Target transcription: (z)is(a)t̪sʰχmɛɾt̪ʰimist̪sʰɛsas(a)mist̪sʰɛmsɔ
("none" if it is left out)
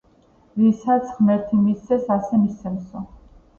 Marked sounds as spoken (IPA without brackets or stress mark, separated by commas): v, a, ɛ